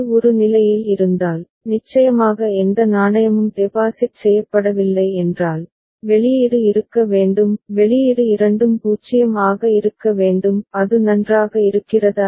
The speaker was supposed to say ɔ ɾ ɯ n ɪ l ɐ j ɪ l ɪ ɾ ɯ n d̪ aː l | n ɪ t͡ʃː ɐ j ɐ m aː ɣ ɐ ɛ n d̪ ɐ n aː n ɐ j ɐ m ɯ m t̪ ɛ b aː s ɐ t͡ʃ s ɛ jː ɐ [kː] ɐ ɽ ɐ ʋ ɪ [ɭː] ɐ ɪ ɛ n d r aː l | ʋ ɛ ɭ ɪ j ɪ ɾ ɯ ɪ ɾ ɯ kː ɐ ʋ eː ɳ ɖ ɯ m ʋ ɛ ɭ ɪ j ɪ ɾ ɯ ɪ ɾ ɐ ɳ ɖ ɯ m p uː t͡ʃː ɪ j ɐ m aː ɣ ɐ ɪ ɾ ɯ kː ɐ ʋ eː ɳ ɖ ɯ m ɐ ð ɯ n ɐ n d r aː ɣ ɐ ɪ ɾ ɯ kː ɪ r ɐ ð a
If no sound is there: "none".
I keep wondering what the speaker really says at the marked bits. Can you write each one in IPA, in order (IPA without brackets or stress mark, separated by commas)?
pː, lː